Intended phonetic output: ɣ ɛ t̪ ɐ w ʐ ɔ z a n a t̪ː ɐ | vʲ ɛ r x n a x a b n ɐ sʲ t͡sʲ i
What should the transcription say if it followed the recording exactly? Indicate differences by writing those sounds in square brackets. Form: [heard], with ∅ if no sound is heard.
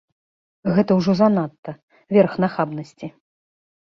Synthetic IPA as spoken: ɣ ɛ t̪ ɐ w ʐ ɔ z a n a t̪ː ɐ | vʲ ɛ r x n a x a b n ɐ sʲ t͡sʲ i